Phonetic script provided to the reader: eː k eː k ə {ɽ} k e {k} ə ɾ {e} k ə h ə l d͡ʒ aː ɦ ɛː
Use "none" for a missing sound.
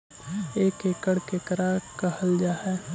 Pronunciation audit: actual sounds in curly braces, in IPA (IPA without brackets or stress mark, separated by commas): ɽ, k, a